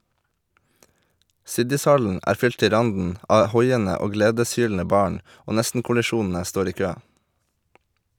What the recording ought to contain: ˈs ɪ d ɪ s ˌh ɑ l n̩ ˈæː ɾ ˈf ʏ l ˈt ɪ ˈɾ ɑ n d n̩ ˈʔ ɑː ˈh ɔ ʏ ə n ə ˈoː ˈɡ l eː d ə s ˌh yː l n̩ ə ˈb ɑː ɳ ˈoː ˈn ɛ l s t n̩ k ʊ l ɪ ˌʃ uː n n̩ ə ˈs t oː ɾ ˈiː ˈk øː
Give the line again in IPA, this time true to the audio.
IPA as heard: ˈs ɪ d ɪ s ˌh ɑ l n̩ ˈæː ɾ ˈf ʏ l ˈt ɪ ˈɾ ɑ n d n̩ ˈʔ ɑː ˈh ɔ ʏ ə n ə ˈoː ˈɡ l eː d ə s ˌh yː l n̩ ə ˈb ɑː ɳ ˈoː ˈn ɛ s t n̩ k ʊ l ɪ ˌʃ uː n n̩ ə ˈs t oː ɾ ˈiː ˈk øː